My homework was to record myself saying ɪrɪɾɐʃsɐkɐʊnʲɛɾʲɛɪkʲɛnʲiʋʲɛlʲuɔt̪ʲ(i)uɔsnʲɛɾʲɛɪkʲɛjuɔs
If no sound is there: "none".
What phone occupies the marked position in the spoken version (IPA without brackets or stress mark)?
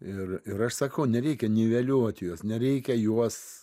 j